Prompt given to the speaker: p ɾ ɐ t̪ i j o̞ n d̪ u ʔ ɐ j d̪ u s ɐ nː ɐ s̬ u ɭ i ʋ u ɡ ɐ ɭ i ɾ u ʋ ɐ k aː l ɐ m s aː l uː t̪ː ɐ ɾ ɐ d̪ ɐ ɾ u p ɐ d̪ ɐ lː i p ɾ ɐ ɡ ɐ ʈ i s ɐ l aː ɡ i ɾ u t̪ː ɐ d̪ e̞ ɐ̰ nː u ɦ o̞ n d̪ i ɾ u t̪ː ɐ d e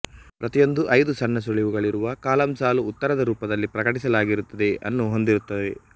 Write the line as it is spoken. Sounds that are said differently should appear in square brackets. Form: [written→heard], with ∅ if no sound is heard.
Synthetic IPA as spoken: p ɾ ɐ t̪ i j o̞ n d̪ u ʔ ɐ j d̪ u s ɐ nː ɐ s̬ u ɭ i ʋ u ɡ ɐ ɭ i ɾ u ʋ ɐ k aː l ɐ m s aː l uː t̪ː ɐ ɾ ɐ d̪ ɐ ɾ [u→uː] p ɐ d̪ ɐ lː i p ɾ ɐ [ɡ→k] ɐ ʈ i s ɐ l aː ɡ i ɾ u t̪ː ɐ d̪ e̞ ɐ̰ nː u ɦ o̞ n d̪ i ɾ u t̪ː ɐ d e